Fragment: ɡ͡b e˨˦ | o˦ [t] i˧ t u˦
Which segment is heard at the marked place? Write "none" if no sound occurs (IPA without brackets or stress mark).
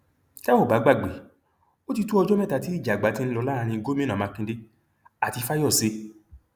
t